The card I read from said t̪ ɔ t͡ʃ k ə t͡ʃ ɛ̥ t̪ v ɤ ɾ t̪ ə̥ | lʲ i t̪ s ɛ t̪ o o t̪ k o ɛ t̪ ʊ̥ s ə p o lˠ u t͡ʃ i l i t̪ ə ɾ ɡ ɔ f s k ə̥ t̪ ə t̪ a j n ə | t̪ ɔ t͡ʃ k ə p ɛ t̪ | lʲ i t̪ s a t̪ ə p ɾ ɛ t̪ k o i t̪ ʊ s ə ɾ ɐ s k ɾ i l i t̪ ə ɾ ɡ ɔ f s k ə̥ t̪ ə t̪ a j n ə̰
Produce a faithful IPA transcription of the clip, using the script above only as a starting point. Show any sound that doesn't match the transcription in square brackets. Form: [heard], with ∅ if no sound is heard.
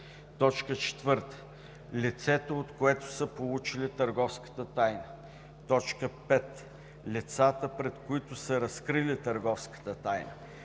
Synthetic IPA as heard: t̪ ɔ t͡ʃ k ə t͡ʃ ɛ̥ t̪ v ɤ ɾ t̪ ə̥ | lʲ i t̪ s ɛ t̪ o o t̪ k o ɛ t̪ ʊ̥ s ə p o lˠ u t͡ʃ i l i t̪ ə ɾ ɡ ɔ f s k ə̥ t̪ ə t̪ a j n ə | t̪ ɔ t͡ʃ k ə p ɛ t̪ | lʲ i t̪ s a t̪ ə p ɾ ɛ t̪ k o i t̪ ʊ s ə ɾ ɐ s k ɾ i l i t̪ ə ɾ ɡ ɔ f s k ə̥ t̪ ə t̪ a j n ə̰

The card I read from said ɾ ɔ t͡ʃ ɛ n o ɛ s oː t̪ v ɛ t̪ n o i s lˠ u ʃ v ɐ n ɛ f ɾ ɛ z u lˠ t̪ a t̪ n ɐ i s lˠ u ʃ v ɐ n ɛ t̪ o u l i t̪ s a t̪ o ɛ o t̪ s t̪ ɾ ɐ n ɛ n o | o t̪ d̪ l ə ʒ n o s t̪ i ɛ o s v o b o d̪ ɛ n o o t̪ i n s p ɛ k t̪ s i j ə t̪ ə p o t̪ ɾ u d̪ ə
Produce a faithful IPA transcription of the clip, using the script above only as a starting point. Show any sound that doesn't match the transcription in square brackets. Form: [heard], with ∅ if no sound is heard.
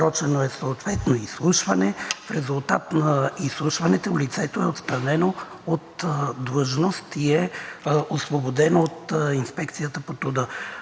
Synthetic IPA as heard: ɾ ɔ t͡ʃ ɛ n o ɛ s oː t̪ v ɛ t̪ n o i s lˠ u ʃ v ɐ n ɛ f ɾ ɛ z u lˠ t̪ a t̪ n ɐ i s lˠ u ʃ v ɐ n ɛ t̪ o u l i t̪ s [ɛ] t̪ o ɛ o t̪ s t̪ ɾ ɐ n ɛ n o | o t̪ d̪ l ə ʒ n o s t̪ i ɛ o s v o b o d̪ ɛ n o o t̪ i n s p ɛ k t̪ s i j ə t̪ ə p o t̪ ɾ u d̪ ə

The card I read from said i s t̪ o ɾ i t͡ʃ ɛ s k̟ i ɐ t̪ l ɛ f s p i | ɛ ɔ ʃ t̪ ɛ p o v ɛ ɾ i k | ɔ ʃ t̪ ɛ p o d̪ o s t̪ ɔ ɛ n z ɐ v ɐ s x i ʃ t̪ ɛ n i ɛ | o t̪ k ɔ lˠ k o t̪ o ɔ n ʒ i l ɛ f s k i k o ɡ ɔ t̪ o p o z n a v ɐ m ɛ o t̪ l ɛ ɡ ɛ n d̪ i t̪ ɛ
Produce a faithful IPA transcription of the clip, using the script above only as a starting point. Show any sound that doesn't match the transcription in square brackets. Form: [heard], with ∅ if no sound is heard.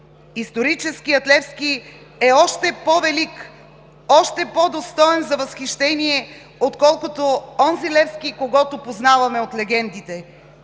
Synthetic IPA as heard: i s t̪ o ɾ i t͡ʃ ɛ s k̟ i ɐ t̪ l ɛ f s [k] i | ɛ ɔ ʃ t̪ ɛ p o v ɛ [l] i k | ɔ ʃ t̪ ɛ p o d̪ o s t̪ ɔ ɛ n z ɐ v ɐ s x i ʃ t̪ ɛ n i ɛ | o t̪ k ɔ lˠ k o t̪ o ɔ n [z] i l ɛ f s k i k o ɡ ɔ t̪ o p o z n a v ɐ m ɛ o t̪ l ɛ ɡ ɛ n d̪ i t̪ ɛ

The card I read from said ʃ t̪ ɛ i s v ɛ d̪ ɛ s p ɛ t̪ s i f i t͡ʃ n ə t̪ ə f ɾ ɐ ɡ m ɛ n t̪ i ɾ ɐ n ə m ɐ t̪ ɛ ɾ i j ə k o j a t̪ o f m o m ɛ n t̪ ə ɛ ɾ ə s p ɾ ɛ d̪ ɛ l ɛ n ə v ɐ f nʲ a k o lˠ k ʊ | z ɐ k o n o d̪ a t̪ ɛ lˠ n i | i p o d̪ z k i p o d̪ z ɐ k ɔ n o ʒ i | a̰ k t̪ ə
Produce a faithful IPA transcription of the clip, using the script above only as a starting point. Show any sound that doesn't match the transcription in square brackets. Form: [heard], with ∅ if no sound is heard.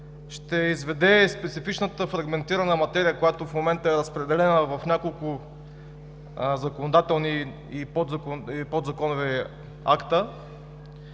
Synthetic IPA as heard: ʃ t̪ ɛ i [z] v ɛ d̪ ɛ s p ɛ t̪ s i f i t͡ʃ n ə t̪ ə f ɾ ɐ ɡ m ɛ n t̪ i ɾ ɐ n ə m ɐ t̪ ɛ ɾ i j ə k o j a t̪ o f m o m ɛ n t̪ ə ɛ ɾ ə s p ɾ ɛ d̪ ɛ l ɛ n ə v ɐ f nʲ a k o lˠ k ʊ | z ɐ k o n o d̪ a t̪ ɛ lˠ n i | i p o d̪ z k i p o d̪ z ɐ k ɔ n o [v] i | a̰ k t̪ ə

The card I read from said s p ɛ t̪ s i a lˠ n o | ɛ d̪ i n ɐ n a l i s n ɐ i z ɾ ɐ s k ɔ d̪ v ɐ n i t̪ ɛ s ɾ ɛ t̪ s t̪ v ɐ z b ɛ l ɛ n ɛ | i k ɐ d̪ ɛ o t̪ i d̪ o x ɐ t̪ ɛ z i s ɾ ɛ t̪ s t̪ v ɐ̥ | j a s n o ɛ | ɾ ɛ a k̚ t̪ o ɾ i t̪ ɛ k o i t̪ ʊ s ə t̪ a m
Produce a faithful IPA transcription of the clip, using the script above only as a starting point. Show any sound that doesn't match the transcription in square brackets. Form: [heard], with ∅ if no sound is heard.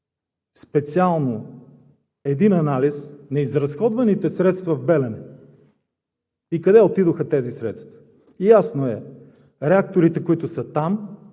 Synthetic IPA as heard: s p ɛ t̪ s i a lˠ n o | ɛ d̪ i n ɐ n a l i s n ɐ i z ɾ ɐ s [x] ɔ d̪ v ɐ n i t̪ ɛ s ɾ ɛ t̪ s t̪ v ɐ [v] b ɛ l ɛ n ɛ | i k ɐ d̪ ɛ o t̪ i d̪ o x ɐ t̪ ɛ z i s ɾ ɛ t̪ s t̪ v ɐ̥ | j a s n o ɛ | ɾ ɛ a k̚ t̪ o ɾ i t̪ ɛ k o i t̪ ʊ s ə t̪ a m

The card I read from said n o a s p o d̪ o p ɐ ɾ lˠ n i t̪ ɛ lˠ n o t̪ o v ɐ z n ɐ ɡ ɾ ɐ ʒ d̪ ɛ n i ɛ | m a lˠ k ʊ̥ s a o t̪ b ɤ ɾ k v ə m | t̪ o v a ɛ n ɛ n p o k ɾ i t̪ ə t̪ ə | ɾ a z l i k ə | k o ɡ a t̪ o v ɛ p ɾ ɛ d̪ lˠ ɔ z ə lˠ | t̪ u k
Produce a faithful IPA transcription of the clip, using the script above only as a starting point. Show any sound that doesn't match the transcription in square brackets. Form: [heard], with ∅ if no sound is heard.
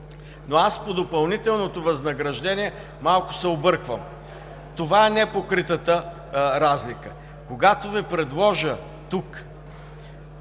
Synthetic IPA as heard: n o a s p o d̪ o p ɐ [∅] lˠ n i t̪ ɛ lˠ n o t̪ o v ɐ z n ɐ ɡ ɾ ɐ ʒ d̪ ɛ n i ɛ | m a lˠ k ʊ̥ s [ɛ] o [∅] b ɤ ɾ k v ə m | t̪ o v a ɛ n ɛ [∅] p o k ɾ i t̪ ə t̪ ə | ɾ a z l i k ə | k o ɡ a t̪ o v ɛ p ɾ ɛ d̪ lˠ ɔ [ʒ] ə [∅] | t̪ u k

